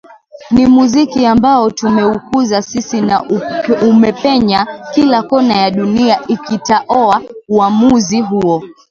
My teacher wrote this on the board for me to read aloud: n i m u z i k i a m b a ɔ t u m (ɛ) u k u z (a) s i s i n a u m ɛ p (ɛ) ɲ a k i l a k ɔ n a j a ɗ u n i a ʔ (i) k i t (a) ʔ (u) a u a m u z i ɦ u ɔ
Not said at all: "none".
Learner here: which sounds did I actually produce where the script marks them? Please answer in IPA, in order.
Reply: ɛ, a, ɛ, i, a, ɔ

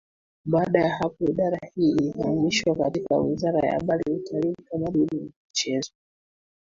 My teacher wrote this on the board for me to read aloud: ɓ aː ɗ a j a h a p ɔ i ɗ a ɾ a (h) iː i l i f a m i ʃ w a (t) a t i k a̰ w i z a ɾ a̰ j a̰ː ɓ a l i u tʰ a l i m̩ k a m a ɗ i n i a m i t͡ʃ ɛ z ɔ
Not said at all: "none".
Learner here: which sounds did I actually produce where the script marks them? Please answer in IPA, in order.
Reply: h, k

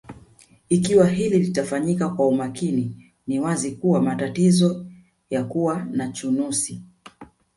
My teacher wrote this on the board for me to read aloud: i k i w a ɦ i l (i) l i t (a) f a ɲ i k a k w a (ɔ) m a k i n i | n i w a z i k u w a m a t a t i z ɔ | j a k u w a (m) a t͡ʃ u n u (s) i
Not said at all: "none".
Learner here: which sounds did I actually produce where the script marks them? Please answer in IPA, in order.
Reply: i, a, u, n, s

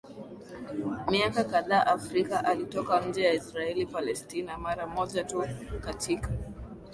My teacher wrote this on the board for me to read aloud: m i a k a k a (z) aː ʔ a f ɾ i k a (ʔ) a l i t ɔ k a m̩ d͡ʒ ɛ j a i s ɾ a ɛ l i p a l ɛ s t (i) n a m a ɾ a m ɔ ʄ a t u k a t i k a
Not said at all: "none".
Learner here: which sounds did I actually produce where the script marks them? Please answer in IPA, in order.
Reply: ð, ʔ, i

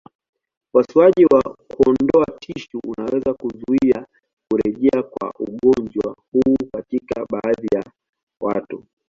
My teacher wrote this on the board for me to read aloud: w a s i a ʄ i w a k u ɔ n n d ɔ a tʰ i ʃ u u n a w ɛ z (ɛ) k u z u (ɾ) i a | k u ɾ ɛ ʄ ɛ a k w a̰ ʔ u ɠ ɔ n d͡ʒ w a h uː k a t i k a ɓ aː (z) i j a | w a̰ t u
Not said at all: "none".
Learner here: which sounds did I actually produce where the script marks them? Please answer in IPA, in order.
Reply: a, none, ð

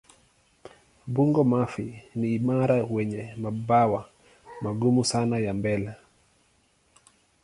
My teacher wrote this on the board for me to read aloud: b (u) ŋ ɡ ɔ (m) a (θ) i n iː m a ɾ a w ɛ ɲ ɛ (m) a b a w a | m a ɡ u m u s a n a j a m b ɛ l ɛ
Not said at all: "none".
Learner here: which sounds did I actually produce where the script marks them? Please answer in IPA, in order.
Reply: u, m, f, m

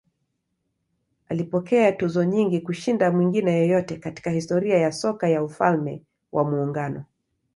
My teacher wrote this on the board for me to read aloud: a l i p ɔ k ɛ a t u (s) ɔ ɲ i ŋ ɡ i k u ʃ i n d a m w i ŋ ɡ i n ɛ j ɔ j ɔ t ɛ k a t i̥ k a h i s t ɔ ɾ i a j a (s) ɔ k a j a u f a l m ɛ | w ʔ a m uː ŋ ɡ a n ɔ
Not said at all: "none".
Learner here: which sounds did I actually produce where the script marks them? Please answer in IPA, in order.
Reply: z, s

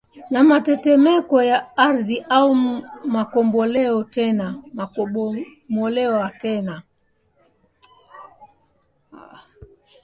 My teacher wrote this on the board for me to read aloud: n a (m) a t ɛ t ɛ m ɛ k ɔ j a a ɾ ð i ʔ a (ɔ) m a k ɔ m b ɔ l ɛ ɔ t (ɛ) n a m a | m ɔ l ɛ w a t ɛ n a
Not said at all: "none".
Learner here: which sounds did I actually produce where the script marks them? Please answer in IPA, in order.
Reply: m, u, ɛ

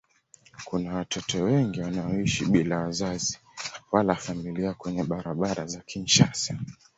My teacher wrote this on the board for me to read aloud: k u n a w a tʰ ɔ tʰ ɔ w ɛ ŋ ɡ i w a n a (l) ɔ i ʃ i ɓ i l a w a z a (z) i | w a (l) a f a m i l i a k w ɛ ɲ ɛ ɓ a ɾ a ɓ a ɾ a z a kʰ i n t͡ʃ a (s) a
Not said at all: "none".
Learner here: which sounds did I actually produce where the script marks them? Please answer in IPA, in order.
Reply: none, z, l, s

